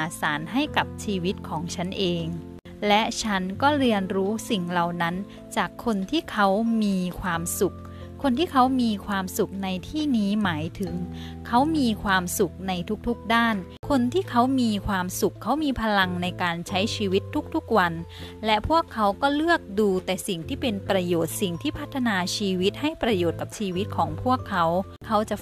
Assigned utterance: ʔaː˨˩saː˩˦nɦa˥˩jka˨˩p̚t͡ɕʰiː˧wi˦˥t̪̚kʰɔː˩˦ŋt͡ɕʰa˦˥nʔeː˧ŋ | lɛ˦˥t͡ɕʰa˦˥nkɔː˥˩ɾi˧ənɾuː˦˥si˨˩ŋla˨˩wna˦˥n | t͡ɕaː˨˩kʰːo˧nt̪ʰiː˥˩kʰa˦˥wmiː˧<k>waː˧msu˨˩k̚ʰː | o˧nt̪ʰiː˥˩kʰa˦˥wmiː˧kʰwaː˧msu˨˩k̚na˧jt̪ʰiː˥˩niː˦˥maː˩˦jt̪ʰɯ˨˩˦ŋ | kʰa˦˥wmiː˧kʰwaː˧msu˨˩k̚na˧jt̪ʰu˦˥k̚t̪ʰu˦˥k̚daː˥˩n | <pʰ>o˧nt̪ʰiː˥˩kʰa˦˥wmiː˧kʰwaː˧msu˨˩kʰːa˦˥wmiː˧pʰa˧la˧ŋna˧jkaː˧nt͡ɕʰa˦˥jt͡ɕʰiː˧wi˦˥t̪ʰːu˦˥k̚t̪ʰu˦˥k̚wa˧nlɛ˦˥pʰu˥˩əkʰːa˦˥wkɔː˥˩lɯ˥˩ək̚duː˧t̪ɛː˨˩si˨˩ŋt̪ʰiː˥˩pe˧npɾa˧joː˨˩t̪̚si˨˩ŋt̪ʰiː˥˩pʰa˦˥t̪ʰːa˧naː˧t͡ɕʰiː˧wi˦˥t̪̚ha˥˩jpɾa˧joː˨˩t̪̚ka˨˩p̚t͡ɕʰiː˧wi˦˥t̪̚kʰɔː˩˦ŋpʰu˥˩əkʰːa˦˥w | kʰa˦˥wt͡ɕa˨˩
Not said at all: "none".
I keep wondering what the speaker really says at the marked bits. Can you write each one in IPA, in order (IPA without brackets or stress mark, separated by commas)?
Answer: kʰ, kʰ